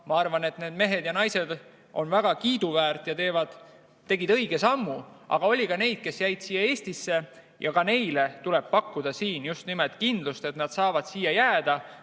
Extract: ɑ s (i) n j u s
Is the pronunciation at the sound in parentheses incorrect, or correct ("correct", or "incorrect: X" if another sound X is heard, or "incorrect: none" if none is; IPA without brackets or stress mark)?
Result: incorrect: iː